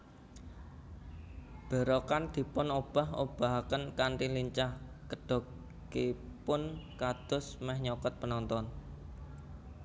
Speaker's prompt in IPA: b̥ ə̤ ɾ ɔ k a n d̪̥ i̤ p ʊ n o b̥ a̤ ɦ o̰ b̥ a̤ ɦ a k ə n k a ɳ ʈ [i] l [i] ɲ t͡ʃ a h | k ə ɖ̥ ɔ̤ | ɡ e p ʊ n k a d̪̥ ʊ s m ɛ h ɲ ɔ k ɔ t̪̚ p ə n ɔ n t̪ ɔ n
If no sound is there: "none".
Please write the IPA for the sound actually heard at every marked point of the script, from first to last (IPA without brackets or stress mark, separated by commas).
i, i